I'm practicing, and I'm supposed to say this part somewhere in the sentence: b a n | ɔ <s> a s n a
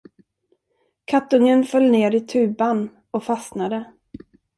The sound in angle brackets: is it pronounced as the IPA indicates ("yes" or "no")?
no